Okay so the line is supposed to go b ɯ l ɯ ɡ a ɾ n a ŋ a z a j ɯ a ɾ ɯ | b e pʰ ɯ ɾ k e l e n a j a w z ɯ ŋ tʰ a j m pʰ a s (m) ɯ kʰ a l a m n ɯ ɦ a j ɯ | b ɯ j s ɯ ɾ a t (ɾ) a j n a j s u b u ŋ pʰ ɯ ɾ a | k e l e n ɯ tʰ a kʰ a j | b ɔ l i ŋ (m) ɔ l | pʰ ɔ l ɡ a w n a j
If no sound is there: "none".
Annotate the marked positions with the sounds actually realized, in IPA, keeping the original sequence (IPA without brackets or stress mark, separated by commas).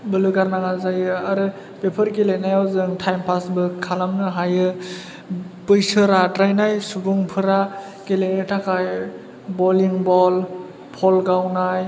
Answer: b, ɾ, b